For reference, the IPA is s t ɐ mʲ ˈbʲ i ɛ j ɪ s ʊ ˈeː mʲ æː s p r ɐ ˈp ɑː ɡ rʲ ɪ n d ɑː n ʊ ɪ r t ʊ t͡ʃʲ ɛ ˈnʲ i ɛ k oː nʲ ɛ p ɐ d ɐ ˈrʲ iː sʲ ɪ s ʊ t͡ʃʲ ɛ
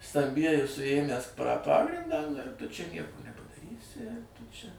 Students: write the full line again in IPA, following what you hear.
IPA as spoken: s t ɐ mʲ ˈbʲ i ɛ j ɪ s ʊ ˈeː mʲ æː s p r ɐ ˈp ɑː ɡ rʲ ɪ n d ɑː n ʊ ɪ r t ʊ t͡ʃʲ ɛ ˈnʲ i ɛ k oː nʲ ɛ p ɐ d ɐ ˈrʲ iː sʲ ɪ t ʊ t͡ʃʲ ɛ